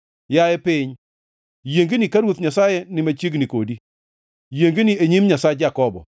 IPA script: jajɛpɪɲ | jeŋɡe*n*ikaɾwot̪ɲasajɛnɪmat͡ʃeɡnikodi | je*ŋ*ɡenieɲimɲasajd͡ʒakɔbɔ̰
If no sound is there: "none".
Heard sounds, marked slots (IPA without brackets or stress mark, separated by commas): n, ŋ